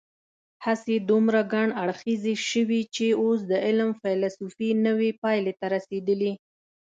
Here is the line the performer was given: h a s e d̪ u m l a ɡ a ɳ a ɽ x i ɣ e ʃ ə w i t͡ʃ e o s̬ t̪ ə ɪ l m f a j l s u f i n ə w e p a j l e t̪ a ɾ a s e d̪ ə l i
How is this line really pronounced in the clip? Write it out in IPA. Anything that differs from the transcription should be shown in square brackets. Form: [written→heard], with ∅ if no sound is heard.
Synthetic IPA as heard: h a s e d̪ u m [l→ɾ] a ɡ a ɳ a ɽ x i [ɣ→z] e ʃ ə w i t͡ʃ e o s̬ [t̪→d̪] ə ɪ l m f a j l s u f i n ə w e p [a→ɑ] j l e t̪ a ɾ a s e d̪ ə l i

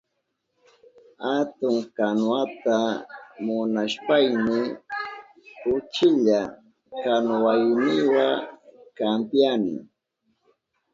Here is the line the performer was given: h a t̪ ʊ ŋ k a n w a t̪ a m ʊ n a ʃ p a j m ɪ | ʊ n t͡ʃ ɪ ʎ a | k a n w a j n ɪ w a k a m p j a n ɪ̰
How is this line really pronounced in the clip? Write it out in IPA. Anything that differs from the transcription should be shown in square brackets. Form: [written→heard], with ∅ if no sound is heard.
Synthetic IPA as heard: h a t̪ ʊ ŋ k a n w a t̪ a m ʊ n a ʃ p a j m ɪ | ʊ [n→∅] t͡ʃ ɪ ʎ a | k a n w a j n ɪ w a k a m p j a n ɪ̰

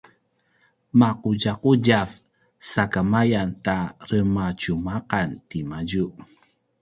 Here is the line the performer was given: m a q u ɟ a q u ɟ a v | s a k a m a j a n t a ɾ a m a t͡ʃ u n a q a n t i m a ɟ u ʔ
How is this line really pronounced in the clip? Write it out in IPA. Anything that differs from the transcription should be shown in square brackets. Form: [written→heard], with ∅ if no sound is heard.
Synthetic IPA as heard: m a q u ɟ a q u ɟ a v | s a k a m a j a n t a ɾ [a→ə] m a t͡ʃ u [n→m] a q a n t i m a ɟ u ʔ

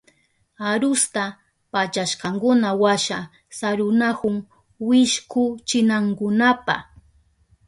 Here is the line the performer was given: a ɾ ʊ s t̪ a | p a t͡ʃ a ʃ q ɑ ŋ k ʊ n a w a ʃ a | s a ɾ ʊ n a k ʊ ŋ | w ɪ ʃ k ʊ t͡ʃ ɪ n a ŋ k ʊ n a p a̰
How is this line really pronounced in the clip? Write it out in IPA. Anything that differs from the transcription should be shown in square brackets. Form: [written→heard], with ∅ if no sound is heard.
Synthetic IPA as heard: a ɾ ʊ s t̪ a | p a t͡ʃ a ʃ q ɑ ŋ k ʊ n a w a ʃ a | s a ɾ ʊ n a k ʊ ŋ | w ɪ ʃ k ʊ t͡ʃ ɪ n a ŋ k ʊ n a p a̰

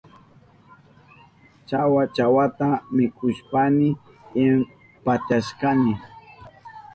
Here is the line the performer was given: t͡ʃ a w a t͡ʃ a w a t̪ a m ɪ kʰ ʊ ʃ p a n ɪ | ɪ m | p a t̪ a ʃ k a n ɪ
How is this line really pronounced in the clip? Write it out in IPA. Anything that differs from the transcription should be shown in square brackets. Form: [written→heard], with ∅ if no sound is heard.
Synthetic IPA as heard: t͡ʃ a w a t͡ʃ a w a t̪ a m ɪ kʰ ʊ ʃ p a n ɪ | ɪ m | p a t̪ a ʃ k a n ɪ

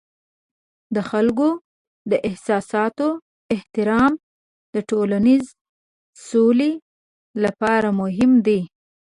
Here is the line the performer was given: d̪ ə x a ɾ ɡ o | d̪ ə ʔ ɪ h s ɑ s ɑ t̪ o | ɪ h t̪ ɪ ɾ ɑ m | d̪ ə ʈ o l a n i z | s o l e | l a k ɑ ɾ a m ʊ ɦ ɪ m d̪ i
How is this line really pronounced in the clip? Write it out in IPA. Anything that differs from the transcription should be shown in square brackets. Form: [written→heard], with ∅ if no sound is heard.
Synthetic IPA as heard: d̪ ə x a [ɾ→l] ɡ o | d̪ ə ʔ ɪ h s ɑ s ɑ t̪ o | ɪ h t̪ ɪ ɾ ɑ m | d̪ ə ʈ o l a n i z | s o l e | l a [k→p] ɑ ɾ a m ʊ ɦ ɪ m d̪ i

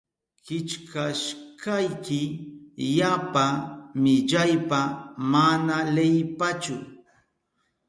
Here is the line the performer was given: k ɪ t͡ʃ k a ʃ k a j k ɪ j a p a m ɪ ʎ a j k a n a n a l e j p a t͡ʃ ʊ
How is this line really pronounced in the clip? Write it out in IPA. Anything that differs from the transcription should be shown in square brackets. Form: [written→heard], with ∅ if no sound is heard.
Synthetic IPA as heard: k ɪ t͡ʃ k a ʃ k a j k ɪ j a p a m ɪ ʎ a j [k→p] a [n→m] a n a l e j p a t͡ʃ ʊ

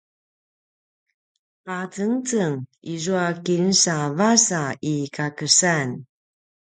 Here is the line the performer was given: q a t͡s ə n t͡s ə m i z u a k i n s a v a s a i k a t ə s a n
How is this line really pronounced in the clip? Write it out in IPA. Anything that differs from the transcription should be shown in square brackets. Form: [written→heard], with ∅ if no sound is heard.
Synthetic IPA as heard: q a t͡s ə [n→ŋ] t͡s ə [m→ŋ] i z u a k i n s a v a s a i k a [t→k] ə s a n

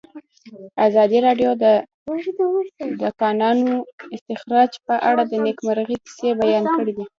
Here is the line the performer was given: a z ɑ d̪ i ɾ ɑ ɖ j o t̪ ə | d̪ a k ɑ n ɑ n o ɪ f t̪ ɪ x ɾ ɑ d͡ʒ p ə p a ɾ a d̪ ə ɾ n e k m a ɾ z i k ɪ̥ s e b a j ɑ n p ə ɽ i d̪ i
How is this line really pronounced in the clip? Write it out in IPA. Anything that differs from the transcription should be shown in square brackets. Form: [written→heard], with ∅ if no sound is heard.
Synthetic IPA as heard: a z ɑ d̪ i ɾ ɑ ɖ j o [t̪→d̪] ə | d̪ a k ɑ n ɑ n o ɪ [f→s] t̪ ɪ x ɾ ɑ d͡ʒ p ə [p→ʔ] a [ɾ→ɽ] a d̪ ə [ɾ→∅] n e k m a ɾ [z→ɣ] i k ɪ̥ s e b a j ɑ n [p→k] ə ɽ i d̪ i

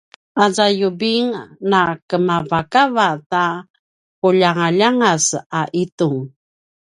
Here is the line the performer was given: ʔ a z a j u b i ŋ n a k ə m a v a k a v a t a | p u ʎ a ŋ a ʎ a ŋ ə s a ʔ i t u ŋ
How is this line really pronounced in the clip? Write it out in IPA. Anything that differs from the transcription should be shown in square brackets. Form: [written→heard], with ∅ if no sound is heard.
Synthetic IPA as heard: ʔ a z a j u b i ŋ n a k ə m a v a k a v a t a | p u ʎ a ŋ a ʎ a ŋ [ə→a] s a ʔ i t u ŋ

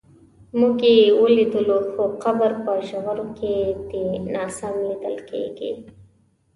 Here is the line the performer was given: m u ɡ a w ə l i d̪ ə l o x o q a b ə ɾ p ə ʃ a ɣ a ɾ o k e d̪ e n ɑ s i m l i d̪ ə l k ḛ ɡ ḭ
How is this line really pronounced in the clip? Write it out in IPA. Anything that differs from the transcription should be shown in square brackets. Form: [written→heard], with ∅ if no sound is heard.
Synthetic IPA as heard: m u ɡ [a→e] w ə l i d̪ ə l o x o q a b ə ɾ p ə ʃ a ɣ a ɾ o k e d̪ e n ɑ s [i→a] m l i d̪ ə l k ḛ ɡ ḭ

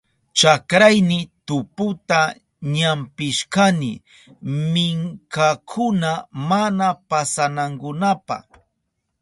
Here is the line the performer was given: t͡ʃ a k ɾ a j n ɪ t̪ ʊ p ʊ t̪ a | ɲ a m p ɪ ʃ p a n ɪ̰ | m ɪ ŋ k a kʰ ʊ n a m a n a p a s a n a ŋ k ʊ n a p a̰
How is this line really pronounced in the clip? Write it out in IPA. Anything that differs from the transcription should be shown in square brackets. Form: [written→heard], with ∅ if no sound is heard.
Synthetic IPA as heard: t͡ʃ a k ɾ a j n ɪ t̪ ʊ p ʊ t̪ a | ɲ a m p ɪ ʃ [p→k] a n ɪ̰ | m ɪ ŋ k a kʰ ʊ n a m a n a p a s a n a ŋ k ʊ n a p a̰

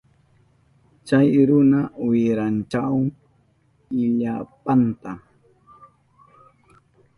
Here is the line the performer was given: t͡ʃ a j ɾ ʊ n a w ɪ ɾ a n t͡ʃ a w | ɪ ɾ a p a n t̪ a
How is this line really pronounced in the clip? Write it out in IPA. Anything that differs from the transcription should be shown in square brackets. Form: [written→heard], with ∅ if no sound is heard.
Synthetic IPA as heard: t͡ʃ a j ɾ ʊ n a w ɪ ɾ a n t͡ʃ a w | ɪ [ɾ→ʎ] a p a n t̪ a

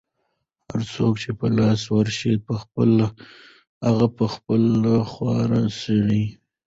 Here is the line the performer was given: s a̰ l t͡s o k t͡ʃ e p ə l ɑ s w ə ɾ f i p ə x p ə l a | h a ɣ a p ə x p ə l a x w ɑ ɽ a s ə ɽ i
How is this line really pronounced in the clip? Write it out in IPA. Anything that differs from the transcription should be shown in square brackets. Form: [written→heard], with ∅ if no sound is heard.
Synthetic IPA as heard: [s→h] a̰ [l→ɾ] t͡s o k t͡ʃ e p ə l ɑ s w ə ɾ [f→ʃ] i p ə x p ə l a | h a ɣ a p ə x p ə l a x w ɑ [ɽ→ɾ] a s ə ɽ i

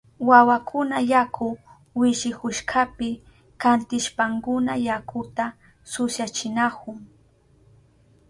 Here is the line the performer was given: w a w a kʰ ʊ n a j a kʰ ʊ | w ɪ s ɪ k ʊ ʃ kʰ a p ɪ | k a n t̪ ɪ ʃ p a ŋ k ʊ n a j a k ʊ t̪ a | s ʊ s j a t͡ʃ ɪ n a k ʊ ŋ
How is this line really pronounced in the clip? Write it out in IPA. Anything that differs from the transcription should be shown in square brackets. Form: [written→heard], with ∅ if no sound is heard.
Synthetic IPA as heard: w a w a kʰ ʊ n a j a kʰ ʊ | w ɪ [s→ʃ] ɪ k ʊ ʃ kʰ a p ɪ | k a n t̪ ɪ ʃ p a ŋ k ʊ n a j a k ʊ t̪ a | s ʊ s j a t͡ʃ ɪ n a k ʊ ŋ

